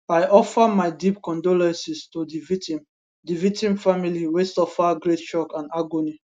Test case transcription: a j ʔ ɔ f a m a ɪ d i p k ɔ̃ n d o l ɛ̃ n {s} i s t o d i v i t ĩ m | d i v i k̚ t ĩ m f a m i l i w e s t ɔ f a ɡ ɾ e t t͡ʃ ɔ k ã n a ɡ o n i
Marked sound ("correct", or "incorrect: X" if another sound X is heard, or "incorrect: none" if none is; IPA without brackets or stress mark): correct